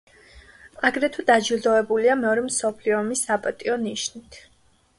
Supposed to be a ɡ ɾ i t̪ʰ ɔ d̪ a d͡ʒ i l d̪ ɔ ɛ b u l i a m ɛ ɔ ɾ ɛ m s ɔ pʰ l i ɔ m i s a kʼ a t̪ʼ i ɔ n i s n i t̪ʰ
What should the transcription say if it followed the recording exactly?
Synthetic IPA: a ɡ ɾ ɛ t̪ʰ u d̪ a d͡ʒ i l d̪ ɔ ɛ b u l i a m ɛ ɔ ɾ ɛ m s ɔ pʰ l i ɔ m i s a pʼ a t̪ʼ i ɔ n i ʃ n i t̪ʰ